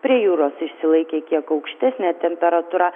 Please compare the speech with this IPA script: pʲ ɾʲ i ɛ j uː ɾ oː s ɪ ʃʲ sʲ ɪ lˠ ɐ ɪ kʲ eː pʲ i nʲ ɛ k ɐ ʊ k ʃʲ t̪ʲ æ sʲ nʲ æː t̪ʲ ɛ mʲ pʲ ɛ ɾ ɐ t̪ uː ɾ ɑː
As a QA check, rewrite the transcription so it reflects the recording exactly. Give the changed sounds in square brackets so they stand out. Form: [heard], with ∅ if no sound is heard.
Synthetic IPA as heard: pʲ ɾʲ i ɛ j uː ɾ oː s ɪ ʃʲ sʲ ɪ lˠ ɐ ɪ kʲ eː [kʲ] i [∅] ɛ k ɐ ʊ k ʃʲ t̪ʲ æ sʲ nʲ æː t̪ʲ ɛ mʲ pʲ ɛ ɾ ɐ t̪ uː ɾ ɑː

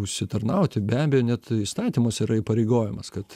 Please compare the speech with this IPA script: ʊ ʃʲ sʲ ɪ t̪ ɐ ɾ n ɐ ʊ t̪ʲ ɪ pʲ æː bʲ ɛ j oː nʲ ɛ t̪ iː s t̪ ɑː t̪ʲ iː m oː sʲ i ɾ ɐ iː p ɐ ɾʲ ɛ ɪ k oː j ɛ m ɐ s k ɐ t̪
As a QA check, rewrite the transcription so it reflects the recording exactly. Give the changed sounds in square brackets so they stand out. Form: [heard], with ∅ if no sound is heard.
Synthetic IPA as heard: ʊ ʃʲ sʲ ɪ t̪ ɐ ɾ n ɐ ʊ t̪ʲ ɪ [bʲ] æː bʲ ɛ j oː nʲ ɛ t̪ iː s t̪ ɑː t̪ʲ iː m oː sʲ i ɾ ɐ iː p ɐ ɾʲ ɛ ɪ [ɡ] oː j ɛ m ɐ s k ɐ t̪

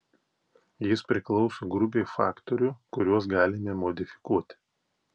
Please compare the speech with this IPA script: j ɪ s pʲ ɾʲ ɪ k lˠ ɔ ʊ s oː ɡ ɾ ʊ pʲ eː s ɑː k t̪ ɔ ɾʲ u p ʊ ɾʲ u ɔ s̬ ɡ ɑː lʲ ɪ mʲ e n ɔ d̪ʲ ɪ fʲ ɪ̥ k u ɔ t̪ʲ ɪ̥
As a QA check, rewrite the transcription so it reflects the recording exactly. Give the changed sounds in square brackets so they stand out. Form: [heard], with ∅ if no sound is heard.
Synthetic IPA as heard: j ɪ s pʲ ɾʲ ɪ k lˠ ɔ ʊ s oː ɡ ɾ ʊ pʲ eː [f] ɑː k t̪ ɔ ɾʲ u [k] ʊ ɾʲ u ɔ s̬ ɡ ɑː lʲ ɪ mʲ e [m] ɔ d̪ʲ ɪ fʲ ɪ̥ k u ɔ t̪ʲ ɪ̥

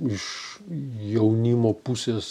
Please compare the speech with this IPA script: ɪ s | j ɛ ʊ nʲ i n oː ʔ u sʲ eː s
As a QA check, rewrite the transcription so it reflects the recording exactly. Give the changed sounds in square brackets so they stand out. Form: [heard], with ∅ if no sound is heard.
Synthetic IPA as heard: ɪ [ʃ] | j ɛ ʊ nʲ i [m] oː [p] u sʲ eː s

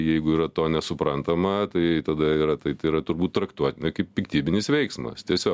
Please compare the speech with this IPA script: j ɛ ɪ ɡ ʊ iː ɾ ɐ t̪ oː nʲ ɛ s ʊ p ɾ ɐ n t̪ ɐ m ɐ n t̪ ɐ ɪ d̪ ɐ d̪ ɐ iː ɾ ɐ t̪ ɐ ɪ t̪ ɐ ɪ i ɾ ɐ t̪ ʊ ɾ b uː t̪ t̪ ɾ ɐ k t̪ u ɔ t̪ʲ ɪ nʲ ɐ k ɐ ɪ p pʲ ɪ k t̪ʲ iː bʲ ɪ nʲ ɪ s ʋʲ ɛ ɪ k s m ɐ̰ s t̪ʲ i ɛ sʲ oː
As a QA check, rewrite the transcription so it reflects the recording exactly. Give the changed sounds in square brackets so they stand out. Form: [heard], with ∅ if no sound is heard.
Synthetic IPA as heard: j ɛ ɪ ɡ ʊ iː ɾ ɐ t̪ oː nʲ ɛ s ʊ p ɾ ɐ n t̪ ɐ m ɐ [∅] t̪ ɐ ɪ [t̪] ɐ d̪ ɐ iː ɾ ɐ t̪ ɐ ɪ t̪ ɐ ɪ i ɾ ɐ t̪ ʊ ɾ b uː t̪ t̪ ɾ ɐ k t̪ u ɔ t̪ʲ ɪ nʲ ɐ k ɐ ɪ p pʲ ɪ k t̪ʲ iː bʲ ɪ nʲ ɪ s ʋʲ ɛ ɪ k s m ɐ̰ s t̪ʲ i ɛ sʲ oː

